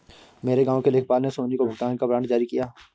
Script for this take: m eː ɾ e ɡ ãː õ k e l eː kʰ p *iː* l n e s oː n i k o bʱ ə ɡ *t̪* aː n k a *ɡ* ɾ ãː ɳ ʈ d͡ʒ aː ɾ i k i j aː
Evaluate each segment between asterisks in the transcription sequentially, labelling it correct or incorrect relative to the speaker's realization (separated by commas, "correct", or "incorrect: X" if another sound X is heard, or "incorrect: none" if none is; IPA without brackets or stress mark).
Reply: incorrect: aː, correct, incorrect: b